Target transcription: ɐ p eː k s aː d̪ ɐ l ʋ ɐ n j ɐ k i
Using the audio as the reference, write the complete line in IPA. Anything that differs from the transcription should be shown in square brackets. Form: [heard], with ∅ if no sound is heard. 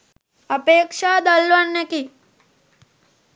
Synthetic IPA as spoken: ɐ p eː k [ʂ] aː d̪ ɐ l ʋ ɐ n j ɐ k i